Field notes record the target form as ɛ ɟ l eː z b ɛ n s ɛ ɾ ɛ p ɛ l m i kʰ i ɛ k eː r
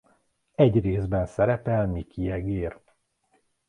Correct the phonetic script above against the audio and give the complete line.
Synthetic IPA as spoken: ɛ ɟ r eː z b ɛ n s ɛ ɾ ɛ p ɛ l m i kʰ i ɛ ɡ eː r